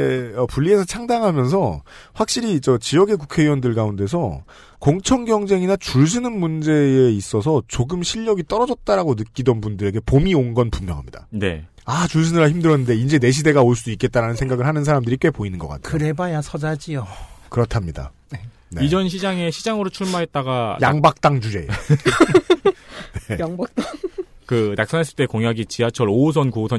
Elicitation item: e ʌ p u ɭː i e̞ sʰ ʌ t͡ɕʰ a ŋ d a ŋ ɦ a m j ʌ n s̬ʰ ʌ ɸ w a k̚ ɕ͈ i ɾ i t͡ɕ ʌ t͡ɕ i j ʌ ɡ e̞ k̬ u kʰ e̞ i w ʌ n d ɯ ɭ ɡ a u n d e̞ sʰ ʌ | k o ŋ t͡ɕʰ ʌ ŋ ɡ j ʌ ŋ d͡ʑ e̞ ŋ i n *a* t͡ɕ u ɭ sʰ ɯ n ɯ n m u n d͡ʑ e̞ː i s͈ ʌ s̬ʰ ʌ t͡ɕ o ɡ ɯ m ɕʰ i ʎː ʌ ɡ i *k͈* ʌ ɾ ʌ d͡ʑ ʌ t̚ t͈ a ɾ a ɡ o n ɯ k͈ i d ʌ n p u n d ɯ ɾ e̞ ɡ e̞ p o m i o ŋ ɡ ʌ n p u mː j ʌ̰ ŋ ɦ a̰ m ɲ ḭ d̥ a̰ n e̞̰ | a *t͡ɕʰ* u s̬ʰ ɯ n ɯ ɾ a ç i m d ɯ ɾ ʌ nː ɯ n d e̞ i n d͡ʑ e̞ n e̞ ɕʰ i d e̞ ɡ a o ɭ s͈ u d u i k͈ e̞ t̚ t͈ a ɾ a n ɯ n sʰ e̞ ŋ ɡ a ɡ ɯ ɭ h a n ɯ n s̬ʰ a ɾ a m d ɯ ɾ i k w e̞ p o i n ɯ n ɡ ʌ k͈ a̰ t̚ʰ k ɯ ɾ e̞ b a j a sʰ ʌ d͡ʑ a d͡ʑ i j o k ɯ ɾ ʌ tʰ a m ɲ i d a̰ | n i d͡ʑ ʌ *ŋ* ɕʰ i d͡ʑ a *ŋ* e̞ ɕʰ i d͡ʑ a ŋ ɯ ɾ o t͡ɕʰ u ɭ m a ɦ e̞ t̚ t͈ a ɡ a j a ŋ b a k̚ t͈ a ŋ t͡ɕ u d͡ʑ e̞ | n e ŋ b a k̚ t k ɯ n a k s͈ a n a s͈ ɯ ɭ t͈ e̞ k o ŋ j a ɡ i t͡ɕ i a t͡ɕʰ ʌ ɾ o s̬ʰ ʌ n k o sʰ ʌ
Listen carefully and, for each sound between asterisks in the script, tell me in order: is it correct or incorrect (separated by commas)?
correct, incorrect, incorrect, incorrect, correct